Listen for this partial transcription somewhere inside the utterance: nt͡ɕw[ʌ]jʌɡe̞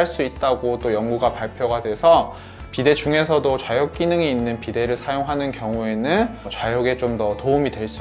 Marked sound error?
yes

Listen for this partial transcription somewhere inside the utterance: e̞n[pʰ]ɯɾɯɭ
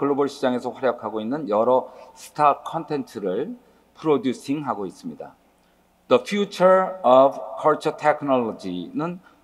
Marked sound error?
yes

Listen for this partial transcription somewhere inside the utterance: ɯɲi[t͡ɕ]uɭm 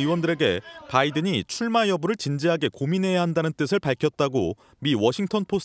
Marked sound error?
yes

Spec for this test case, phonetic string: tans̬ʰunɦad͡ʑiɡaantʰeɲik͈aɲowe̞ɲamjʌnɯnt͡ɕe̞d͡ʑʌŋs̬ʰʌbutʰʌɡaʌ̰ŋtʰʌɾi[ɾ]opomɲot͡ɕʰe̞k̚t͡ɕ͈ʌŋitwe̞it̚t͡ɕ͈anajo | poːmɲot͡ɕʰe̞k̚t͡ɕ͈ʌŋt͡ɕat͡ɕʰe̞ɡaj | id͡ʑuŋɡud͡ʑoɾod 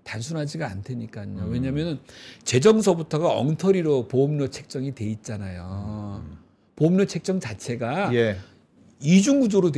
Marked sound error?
no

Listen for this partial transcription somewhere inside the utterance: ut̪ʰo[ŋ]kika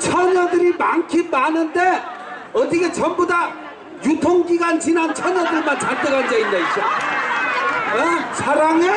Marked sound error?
no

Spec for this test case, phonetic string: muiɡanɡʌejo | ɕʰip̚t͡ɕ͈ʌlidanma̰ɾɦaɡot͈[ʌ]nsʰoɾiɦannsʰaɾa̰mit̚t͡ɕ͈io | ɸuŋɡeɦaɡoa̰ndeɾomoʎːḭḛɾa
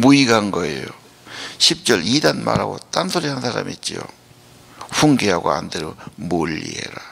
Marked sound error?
yes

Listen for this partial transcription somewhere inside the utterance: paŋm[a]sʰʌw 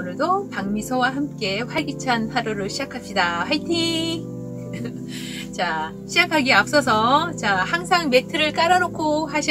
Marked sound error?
yes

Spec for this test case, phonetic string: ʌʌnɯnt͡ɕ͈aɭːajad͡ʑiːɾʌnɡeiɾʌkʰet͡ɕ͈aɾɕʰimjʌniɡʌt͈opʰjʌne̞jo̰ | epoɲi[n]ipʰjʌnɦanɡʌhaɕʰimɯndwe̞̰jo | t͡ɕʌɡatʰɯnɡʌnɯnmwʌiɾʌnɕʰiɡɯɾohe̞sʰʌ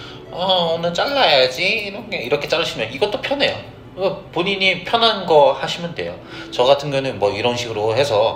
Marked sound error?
yes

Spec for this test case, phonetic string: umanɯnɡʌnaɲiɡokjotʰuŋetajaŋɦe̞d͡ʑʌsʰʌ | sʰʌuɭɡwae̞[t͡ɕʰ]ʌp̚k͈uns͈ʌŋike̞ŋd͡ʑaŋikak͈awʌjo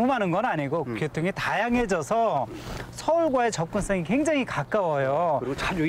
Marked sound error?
yes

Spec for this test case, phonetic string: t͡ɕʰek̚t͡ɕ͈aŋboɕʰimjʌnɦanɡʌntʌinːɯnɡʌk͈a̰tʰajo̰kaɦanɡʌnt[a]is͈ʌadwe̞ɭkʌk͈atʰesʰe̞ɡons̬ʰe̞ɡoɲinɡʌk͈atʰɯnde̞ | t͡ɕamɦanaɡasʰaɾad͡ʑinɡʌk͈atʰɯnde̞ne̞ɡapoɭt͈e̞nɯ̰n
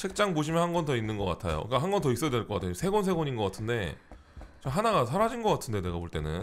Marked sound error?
yes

